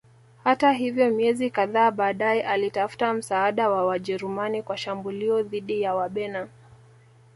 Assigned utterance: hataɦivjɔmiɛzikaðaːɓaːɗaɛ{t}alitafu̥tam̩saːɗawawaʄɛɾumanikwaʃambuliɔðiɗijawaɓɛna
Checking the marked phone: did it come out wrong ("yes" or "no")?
yes